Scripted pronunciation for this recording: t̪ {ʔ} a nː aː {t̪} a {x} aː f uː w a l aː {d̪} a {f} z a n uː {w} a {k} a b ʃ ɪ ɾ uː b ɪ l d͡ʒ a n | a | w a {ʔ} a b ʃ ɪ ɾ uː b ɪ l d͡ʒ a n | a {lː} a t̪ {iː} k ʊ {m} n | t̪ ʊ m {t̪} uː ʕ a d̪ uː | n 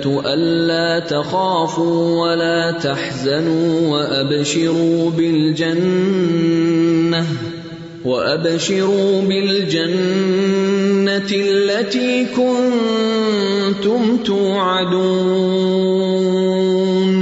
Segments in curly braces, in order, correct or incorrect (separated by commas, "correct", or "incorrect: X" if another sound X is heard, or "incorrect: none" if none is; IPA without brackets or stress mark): correct, correct, correct, incorrect: t̪, incorrect: ħ, correct, incorrect: ʔ, correct, correct, correct, incorrect: n, correct